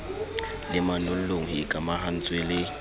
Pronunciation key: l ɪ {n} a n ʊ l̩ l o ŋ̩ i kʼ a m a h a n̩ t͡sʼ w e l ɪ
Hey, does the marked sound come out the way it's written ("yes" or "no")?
no